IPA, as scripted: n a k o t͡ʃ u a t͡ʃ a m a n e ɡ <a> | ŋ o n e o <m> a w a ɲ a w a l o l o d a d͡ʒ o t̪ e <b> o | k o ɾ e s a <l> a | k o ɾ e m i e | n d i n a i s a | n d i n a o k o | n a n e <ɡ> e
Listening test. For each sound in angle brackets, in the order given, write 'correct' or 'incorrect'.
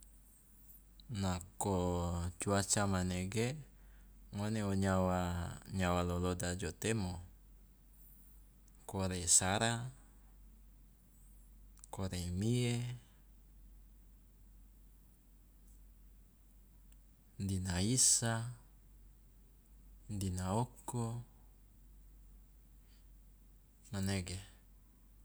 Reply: incorrect: e, incorrect: ɲ, incorrect: m, incorrect: ɾ, correct

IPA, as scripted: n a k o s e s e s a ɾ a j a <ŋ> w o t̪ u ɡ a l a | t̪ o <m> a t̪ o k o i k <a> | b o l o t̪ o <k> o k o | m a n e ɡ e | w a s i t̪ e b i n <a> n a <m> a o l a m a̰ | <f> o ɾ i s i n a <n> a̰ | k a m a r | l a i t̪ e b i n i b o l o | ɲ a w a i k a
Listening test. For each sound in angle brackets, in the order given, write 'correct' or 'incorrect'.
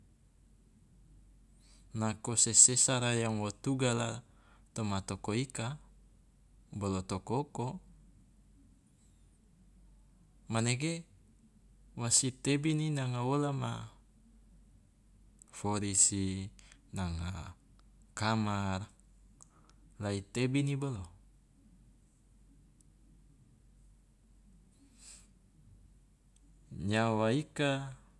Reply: correct, correct, correct, correct, incorrect: i, incorrect: ŋ, correct, incorrect: ŋ

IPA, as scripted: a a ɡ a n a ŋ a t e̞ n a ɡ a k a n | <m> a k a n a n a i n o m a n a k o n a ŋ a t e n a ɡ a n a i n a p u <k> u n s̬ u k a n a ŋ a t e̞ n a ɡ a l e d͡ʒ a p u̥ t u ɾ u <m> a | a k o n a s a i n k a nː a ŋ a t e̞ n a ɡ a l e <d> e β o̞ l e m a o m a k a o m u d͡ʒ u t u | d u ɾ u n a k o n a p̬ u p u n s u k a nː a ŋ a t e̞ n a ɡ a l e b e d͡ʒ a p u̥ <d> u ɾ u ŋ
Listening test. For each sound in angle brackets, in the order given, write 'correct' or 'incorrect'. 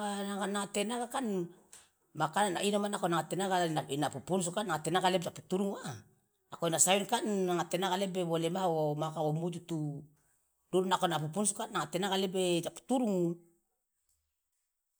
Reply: correct, incorrect: p, incorrect: ŋ, incorrect: b, incorrect: t

